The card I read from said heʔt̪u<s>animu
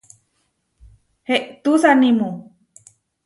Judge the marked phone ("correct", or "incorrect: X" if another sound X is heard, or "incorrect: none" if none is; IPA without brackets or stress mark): correct